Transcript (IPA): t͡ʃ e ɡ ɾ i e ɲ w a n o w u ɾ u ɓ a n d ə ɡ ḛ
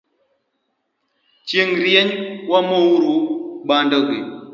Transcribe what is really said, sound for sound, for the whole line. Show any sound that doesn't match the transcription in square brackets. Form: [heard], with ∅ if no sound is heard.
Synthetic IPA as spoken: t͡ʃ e [ŋ] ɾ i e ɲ w a [m] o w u ɾ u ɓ a n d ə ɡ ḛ